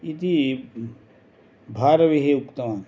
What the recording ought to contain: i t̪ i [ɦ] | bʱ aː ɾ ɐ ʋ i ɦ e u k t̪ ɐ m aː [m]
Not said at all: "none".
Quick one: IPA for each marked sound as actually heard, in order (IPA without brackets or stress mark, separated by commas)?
none, n